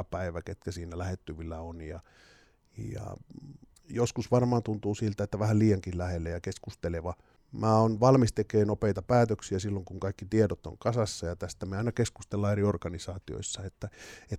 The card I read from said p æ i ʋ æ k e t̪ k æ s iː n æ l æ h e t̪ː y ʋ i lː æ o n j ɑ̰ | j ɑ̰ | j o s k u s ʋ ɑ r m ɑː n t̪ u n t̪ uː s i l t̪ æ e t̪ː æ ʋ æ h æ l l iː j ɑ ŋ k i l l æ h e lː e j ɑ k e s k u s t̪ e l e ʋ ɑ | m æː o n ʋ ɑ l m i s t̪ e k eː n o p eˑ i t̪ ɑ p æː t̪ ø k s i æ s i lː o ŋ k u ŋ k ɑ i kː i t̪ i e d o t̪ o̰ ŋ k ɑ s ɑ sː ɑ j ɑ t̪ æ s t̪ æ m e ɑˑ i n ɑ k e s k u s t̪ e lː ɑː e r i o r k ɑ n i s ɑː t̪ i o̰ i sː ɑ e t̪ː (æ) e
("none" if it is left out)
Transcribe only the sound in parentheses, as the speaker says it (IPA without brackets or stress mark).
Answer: æ